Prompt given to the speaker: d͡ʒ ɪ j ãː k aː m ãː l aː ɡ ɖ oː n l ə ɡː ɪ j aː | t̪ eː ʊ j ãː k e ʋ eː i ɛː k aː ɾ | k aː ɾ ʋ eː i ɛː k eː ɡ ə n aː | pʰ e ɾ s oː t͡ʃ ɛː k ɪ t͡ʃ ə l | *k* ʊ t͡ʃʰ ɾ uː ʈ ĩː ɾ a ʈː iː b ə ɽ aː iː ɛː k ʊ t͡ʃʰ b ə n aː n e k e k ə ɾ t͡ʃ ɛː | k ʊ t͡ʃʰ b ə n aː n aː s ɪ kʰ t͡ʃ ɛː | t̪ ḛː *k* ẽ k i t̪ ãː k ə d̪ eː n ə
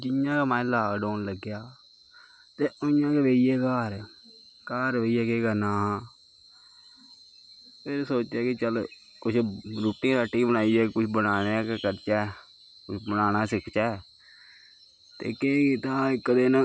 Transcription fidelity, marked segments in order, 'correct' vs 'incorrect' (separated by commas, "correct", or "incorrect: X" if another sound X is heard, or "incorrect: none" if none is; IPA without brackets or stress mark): correct, correct